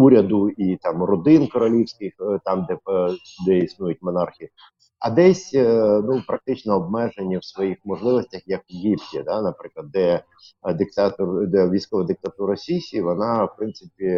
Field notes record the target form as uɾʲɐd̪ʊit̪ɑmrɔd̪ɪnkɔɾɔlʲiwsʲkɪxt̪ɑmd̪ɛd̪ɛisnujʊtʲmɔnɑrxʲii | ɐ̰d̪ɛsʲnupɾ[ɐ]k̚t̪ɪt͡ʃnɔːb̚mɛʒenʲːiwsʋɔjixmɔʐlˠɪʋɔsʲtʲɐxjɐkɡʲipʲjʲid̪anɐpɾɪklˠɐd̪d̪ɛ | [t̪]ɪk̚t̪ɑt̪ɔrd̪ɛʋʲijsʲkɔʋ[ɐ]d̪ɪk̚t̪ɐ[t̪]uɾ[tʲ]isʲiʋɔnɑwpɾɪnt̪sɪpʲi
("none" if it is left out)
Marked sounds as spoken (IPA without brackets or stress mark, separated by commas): ɐ, d̪, ɐ, t̪, sʲ